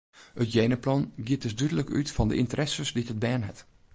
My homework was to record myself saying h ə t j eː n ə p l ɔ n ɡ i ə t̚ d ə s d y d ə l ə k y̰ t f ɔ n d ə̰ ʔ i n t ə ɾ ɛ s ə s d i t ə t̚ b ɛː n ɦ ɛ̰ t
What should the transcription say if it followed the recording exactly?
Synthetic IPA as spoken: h ə t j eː n ə p l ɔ n ɡ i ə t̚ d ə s d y d ə l ə k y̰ t f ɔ n d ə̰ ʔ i n t ə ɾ ɛ s ə s d i t ə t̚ b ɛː n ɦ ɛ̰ t